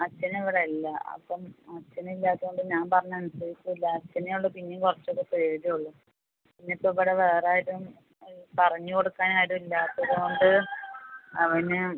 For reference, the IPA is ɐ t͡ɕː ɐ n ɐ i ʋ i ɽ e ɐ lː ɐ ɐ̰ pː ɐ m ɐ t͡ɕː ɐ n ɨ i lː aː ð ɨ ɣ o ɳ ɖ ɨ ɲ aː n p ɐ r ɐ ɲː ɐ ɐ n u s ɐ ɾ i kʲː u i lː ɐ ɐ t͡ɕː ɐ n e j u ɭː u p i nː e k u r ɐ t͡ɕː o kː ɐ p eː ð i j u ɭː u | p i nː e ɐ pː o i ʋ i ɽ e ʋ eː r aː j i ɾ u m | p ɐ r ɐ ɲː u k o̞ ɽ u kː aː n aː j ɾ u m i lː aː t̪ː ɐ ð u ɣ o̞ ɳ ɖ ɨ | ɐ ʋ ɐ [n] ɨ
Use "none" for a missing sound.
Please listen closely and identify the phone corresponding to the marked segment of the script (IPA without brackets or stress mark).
n